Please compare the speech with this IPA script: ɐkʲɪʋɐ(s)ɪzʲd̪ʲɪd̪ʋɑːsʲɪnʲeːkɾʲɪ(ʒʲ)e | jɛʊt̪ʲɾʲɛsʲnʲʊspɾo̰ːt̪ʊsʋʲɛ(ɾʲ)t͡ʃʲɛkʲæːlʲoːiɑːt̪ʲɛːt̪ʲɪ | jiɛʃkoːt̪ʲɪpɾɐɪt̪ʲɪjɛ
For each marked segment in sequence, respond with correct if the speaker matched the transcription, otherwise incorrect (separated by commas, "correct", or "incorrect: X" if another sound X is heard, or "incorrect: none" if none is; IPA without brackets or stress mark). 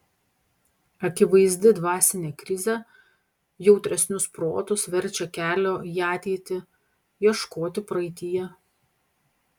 incorrect: none, incorrect: zʲ, correct